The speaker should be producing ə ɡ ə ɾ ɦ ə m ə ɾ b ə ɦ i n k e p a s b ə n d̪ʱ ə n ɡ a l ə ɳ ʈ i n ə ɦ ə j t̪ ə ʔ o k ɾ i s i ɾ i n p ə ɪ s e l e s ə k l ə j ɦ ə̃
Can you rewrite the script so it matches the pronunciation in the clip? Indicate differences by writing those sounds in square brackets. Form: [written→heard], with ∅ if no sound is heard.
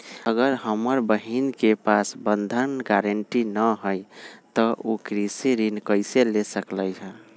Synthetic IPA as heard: ə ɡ ə ɾ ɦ ə m ə ɾ b ə ɦ i n k e p a s b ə n d̪ʱ ə n ɡ a [l→ɾ] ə ɳ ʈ i n ə ɦ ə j t̪ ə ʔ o k ɾ i s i ɾ i n [p→k] ə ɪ s e l e s ə k l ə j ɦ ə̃